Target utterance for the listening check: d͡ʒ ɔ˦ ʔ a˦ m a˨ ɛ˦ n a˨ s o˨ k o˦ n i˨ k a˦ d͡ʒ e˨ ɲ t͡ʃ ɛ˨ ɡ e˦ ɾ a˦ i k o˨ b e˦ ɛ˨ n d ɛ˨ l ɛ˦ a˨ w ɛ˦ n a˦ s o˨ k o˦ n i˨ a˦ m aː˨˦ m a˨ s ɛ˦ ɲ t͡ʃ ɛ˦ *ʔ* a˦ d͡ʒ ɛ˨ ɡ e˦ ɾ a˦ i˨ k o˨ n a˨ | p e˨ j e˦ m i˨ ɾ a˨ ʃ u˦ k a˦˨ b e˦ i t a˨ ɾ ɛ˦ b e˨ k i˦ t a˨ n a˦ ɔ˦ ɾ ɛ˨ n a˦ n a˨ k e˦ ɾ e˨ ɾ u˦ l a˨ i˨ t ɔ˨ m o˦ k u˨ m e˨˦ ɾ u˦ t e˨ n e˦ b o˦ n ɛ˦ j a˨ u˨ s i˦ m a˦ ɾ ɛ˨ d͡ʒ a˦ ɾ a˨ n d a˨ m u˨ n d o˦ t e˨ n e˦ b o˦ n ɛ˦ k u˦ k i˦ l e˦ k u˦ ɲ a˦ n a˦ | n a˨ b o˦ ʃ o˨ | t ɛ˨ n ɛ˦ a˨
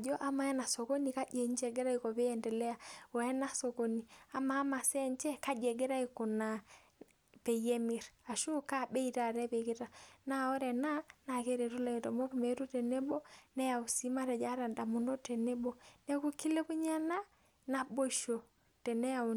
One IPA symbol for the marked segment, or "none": k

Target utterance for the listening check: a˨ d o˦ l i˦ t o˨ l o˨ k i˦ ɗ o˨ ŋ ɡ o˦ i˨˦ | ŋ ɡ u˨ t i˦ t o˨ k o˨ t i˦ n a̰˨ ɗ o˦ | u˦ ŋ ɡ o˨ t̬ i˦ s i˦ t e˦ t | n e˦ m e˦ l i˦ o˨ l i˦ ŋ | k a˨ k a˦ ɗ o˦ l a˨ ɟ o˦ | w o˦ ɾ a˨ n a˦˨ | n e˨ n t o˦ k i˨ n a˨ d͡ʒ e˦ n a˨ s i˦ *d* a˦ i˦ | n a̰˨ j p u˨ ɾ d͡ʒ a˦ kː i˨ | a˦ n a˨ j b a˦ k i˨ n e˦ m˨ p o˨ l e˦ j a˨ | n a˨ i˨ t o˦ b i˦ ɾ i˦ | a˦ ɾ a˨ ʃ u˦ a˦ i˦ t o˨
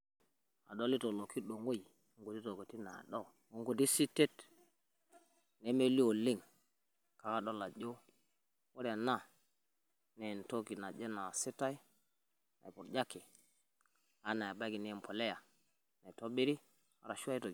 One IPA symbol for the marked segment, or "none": t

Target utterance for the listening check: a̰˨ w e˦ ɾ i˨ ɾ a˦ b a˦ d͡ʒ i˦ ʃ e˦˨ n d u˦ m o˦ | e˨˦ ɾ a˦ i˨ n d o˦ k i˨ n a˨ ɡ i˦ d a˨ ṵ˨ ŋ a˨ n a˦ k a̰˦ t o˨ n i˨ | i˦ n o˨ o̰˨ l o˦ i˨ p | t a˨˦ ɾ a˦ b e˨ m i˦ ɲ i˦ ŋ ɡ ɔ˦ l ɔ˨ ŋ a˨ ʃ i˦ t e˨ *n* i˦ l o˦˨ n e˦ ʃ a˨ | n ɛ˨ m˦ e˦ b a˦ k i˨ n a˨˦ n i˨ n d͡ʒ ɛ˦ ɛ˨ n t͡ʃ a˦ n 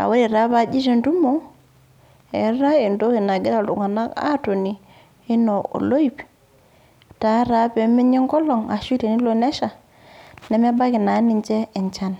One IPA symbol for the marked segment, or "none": n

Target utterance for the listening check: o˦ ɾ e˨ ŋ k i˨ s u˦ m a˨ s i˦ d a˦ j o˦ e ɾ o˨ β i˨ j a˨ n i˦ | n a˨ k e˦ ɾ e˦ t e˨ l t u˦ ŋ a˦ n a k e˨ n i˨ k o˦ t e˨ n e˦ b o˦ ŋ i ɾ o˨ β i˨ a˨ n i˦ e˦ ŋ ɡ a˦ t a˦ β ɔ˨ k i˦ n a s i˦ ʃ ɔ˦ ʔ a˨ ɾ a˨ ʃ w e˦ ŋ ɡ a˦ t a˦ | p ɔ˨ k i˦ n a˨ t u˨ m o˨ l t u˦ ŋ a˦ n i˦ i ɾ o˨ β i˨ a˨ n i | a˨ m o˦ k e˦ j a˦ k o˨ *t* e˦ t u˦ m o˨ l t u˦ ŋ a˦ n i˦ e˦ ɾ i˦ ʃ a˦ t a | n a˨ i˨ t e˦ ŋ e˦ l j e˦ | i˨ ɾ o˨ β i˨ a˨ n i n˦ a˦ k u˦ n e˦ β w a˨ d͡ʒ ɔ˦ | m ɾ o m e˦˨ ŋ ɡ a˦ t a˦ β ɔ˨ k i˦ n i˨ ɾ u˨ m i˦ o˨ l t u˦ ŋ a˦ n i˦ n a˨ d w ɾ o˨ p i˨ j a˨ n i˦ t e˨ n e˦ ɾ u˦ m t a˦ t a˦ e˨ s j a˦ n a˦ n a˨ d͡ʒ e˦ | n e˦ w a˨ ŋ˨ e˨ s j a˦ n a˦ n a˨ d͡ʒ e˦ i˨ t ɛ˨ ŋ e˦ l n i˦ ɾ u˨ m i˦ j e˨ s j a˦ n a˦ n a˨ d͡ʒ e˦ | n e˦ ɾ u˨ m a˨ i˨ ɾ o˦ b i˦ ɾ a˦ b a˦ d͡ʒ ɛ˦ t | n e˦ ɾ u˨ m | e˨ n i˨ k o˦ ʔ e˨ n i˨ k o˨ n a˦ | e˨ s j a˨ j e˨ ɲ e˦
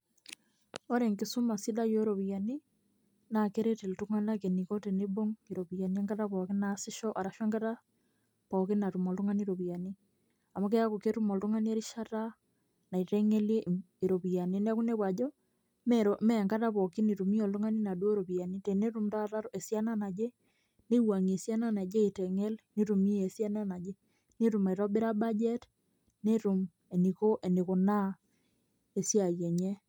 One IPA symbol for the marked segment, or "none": k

